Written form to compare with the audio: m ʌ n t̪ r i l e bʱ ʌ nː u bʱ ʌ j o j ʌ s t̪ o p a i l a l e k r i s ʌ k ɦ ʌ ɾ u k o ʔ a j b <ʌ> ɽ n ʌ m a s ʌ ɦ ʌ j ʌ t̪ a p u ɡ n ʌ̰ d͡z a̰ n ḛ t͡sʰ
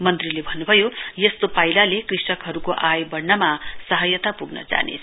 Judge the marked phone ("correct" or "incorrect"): correct